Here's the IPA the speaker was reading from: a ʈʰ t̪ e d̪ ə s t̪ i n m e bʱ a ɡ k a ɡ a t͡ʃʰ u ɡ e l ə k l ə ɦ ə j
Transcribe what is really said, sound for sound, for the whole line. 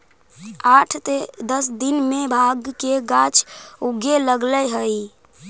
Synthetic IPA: a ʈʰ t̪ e d̪ ə s d̪ i n m e bʱ a ɡ k e ɡ a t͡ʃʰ u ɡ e l ə ɡ l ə ɦ ə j